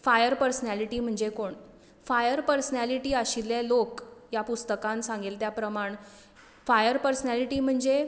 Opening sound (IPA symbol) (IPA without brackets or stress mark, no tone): f